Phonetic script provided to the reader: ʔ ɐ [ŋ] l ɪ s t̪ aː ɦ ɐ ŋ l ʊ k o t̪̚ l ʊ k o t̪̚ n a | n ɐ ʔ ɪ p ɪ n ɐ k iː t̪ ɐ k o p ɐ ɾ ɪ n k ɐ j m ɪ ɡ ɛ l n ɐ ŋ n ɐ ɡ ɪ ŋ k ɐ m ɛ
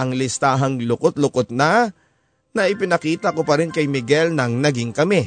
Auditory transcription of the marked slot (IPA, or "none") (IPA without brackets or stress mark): ŋ